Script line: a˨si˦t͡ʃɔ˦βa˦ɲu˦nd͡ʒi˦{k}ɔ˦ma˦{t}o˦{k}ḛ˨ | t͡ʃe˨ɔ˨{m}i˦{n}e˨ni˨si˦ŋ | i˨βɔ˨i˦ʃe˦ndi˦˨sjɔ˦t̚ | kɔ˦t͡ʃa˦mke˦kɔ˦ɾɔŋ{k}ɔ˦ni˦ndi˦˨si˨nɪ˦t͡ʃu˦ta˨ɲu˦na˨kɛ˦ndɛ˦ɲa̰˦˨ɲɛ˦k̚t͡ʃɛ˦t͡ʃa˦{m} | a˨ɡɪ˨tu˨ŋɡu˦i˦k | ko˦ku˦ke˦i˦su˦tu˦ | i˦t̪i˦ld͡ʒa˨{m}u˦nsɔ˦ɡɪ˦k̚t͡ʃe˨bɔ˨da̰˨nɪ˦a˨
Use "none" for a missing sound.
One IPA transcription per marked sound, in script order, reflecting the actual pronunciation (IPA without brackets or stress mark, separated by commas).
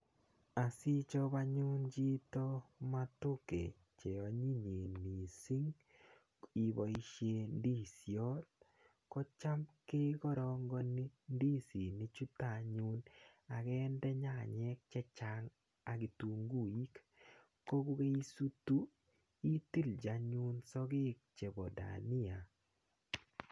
t, t, k, ɲ, ɲ, ɡ, ŋ, ɲ